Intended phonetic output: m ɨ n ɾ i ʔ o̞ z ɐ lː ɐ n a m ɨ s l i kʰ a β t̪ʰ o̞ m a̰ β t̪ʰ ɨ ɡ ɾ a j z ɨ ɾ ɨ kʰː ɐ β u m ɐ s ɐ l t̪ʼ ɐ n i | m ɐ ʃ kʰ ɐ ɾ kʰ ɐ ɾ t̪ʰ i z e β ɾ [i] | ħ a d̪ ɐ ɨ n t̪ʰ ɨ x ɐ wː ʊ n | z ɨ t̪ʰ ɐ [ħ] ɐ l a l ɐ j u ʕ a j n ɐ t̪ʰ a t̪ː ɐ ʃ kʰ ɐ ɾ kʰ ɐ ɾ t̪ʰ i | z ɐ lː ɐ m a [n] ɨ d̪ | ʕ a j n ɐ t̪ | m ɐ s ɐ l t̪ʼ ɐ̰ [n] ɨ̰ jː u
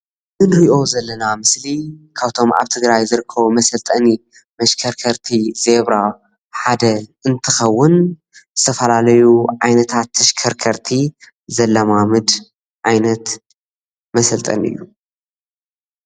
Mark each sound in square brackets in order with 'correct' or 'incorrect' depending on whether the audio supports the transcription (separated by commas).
incorrect, incorrect, incorrect, correct